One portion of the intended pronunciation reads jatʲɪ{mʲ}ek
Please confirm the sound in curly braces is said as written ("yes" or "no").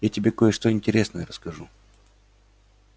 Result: no